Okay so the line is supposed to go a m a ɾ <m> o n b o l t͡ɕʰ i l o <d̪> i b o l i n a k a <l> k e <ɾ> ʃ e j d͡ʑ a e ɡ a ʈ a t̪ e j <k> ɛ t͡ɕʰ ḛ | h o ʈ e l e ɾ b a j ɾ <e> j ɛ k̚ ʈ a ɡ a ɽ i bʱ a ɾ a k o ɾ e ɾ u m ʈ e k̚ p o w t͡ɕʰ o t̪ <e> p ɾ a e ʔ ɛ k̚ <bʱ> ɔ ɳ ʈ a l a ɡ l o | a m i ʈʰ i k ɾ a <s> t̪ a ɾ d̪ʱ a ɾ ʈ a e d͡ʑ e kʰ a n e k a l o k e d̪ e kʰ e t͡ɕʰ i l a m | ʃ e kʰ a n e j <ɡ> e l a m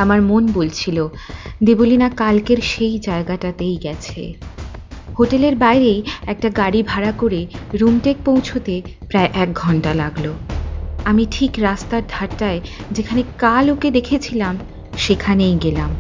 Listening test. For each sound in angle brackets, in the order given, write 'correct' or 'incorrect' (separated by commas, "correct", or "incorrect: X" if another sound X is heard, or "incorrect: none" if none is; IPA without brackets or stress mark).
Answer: correct, correct, correct, correct, incorrect: ɡ, correct, correct, incorrect: ɡʱ, correct, correct